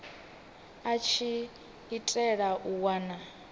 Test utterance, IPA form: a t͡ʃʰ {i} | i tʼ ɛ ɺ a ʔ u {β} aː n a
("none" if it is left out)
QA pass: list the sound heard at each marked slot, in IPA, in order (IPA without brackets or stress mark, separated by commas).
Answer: i, w